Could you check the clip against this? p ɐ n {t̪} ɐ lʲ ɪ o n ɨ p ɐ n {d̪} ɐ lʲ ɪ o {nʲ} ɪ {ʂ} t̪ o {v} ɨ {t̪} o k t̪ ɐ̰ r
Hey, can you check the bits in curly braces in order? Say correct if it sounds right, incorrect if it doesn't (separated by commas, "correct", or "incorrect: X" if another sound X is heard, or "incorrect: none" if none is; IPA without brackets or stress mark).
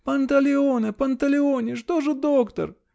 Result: correct, incorrect: t̪, correct, correct, incorrect: ʐ, incorrect: d̪